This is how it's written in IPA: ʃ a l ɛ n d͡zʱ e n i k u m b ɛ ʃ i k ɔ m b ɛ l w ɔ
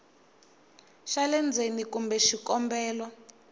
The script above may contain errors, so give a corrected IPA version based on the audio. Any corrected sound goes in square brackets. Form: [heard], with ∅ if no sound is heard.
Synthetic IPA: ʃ a l ɛ n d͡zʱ e n i k u m b ɛ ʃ i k ɔ m b [ɛː] l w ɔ